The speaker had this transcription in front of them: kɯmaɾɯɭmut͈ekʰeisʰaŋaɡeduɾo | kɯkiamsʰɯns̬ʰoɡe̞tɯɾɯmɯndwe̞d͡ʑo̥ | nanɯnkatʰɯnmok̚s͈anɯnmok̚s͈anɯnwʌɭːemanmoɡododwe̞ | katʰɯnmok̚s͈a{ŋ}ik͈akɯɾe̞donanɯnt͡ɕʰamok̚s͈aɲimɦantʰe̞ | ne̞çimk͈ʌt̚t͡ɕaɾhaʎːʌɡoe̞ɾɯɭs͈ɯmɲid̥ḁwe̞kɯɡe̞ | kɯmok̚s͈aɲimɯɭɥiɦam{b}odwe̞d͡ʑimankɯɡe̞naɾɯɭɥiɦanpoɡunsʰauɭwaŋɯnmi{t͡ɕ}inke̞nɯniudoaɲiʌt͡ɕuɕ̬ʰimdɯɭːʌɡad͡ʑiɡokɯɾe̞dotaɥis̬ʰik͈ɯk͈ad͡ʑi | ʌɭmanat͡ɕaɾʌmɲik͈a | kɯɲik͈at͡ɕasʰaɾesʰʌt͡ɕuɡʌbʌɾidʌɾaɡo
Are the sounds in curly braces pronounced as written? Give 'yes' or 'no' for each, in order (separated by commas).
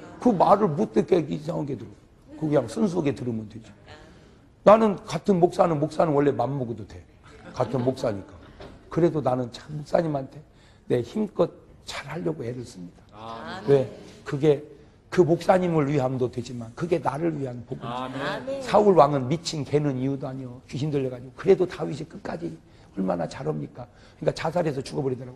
no, no, no